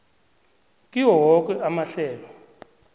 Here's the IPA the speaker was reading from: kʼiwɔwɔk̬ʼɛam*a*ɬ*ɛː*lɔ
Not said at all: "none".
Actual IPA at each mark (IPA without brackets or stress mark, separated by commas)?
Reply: a, ɛː